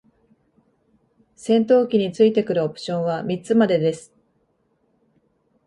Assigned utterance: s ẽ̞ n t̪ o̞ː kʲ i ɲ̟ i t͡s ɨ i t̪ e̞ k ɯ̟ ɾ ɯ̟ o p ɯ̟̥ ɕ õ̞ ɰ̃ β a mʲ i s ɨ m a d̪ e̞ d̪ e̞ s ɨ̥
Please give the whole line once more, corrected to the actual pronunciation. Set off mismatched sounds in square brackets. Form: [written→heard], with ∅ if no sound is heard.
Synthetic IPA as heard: s ẽ̞ n t̪ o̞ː kʲ i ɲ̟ i t͡s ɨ i t̪ e̞ k ɯ̟ ɾ ɯ̟ o p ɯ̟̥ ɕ õ̞ ɰ̃ β a mʲ i [s→t͡s] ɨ m a d̪ e̞ d̪ e̞ s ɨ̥